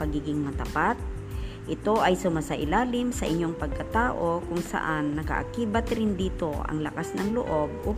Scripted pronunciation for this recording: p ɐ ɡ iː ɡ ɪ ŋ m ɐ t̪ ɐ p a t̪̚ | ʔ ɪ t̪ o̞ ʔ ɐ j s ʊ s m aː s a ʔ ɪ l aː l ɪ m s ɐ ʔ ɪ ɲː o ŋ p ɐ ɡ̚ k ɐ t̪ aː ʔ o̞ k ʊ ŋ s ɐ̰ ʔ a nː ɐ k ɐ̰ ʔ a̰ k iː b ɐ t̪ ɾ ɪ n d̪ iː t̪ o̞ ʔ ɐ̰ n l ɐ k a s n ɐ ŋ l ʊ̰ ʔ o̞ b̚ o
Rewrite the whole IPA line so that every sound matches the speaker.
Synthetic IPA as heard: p ɐ ɡ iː ɡ ɪ ŋ m ɐ t̪ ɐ p a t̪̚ | ʔ ɪ t̪ o̞ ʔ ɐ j s ʊ m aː s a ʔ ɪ l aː l ɪ m s ɐ ʔ ɪ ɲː o ŋ p ɐ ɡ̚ k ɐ t̪ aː ʔ o̞ k ʊ ŋ s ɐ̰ ʔ a nː ɐ k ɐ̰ ʔ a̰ k iː b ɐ t̪ ɾ ɪ n d̪ iː t̪ o̞ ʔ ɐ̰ ŋ l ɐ k a s n ɐ ŋ l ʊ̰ ʔ o̞ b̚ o